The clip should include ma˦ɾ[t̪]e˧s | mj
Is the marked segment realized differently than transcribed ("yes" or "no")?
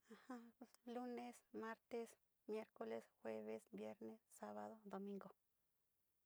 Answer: no